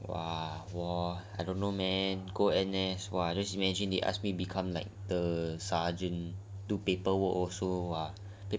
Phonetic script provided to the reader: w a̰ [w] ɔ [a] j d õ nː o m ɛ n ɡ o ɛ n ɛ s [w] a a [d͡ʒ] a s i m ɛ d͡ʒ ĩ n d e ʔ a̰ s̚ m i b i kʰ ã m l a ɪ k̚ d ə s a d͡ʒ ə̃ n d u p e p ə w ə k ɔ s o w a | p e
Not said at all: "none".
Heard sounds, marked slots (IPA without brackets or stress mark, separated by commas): w, a, w, d͡ʒ